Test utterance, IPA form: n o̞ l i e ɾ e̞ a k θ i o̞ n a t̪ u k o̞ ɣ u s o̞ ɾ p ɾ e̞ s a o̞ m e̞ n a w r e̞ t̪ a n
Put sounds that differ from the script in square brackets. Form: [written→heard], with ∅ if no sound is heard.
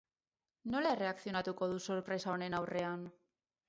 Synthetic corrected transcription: n o̞ l [i→e] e [ɾ→r] e̞ a k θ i o̞ n a t̪ u k o̞ [ɣ→ð] u s o̞ ɾ p ɾ e̞ s a o̞ [m→n] e̞ n a w r e̞ [t̪→∅] a n